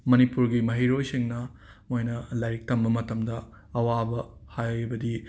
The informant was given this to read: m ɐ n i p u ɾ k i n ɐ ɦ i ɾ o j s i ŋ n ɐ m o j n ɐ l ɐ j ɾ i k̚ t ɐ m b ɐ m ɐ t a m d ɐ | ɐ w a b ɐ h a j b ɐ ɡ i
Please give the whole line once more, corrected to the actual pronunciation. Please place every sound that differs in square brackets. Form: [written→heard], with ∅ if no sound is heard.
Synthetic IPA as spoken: m ɐ n i p u ɾ [k→ɡ] i [n→m] ɐ ɦ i ɾ o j s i ŋ n ɐ m o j n ɐ l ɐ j ɾ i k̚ t ɐ m b ɐ m ɐ t [a→ɐ] m d ɐ | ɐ w a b ɐ h a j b ɐ [ɡ→d] i